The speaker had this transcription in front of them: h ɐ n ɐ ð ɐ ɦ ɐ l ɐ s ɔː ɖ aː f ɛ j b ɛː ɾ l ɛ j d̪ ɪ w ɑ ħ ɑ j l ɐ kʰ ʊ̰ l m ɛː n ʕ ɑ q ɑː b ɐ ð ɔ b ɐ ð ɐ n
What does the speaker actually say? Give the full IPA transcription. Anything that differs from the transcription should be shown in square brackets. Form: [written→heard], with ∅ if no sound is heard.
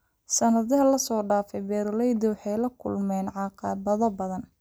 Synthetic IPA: [h→s] ɐ n ɐ ð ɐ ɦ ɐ l ɐ s ɔː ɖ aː f ɛ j b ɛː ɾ l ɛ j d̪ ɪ w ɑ ħ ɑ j l ɐ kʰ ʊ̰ l m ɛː n ʕ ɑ q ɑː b ɐ ð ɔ b ɐ ð ɐ n

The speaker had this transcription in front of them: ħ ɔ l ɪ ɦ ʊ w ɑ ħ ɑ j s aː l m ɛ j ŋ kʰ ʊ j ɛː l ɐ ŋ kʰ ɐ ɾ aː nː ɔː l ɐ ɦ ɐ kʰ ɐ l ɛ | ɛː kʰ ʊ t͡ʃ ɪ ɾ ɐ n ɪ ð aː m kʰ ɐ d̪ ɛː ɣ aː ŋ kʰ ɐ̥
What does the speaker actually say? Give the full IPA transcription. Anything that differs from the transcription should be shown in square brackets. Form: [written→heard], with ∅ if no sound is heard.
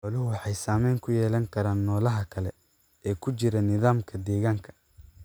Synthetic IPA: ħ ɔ l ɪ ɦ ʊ w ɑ ħ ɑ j s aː [l→∅] m ɛ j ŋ kʰ ʊ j ɛː l ɐ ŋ kʰ ɐ ɾ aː nː ɔː l ɐ ɦ ɐ kʰ ɐ l ɛ | ɛː kʰ ʊ t͡ʃ ɪ ɾ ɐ n ɪ ð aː m kʰ ɐ d̪ ɛː ɣ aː ŋ kʰ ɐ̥

